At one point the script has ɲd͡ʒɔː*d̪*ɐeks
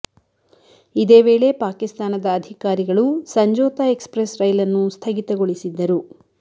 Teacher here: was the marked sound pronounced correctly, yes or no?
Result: no